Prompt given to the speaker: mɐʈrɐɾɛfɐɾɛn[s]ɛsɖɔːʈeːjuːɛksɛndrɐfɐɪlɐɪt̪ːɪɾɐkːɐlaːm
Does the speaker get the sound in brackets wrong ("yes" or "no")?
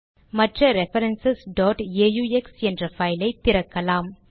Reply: no